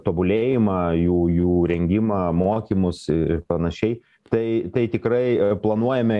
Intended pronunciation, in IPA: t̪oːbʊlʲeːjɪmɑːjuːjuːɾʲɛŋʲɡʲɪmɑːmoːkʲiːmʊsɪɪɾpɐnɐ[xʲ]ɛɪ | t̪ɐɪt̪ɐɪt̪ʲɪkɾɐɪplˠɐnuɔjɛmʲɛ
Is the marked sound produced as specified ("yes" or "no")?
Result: no